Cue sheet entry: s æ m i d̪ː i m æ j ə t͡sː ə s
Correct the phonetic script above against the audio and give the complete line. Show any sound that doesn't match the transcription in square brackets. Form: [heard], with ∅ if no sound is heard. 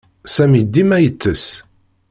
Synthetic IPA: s æ m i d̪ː i m æ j ə t͡sː ə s